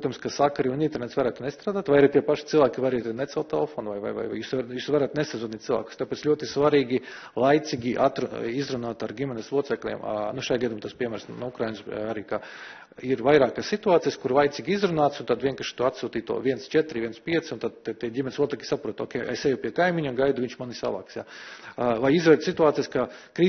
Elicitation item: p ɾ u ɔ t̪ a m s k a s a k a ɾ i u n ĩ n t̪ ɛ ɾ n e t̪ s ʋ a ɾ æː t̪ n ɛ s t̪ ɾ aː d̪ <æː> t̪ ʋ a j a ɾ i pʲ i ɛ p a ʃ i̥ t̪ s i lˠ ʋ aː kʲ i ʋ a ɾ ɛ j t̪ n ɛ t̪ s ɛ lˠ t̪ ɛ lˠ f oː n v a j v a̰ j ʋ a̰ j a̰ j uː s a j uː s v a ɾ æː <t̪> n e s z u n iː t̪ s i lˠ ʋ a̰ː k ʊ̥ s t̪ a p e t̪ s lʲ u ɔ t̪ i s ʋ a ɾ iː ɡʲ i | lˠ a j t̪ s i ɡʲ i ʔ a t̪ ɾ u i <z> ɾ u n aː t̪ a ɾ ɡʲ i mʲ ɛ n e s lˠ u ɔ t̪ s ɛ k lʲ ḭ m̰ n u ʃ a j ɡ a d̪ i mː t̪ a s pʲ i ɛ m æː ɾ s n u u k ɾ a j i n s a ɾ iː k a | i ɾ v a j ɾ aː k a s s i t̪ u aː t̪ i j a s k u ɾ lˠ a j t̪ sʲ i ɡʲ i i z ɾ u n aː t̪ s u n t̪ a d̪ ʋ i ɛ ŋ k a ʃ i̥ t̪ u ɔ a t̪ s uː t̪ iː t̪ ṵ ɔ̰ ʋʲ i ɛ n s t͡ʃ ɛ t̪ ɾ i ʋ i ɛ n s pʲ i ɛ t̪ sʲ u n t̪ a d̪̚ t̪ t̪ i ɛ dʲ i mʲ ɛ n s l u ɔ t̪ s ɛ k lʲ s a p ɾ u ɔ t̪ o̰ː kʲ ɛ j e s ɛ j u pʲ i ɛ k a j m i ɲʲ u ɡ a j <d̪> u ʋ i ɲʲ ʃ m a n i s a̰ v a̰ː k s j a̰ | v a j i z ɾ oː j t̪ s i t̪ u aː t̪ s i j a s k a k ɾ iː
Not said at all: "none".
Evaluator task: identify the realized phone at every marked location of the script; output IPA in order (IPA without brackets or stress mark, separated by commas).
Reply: aː, t̪, z, d̪